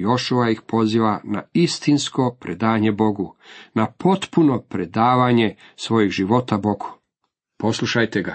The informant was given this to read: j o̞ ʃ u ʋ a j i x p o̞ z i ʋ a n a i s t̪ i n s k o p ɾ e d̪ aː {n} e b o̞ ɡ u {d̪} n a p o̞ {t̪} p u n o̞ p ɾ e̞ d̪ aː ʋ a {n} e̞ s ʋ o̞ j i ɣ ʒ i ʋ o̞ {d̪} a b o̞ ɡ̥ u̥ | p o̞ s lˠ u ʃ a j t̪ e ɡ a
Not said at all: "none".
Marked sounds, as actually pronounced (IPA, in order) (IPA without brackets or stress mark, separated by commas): ɲ, none, t̪, ɲ, t̪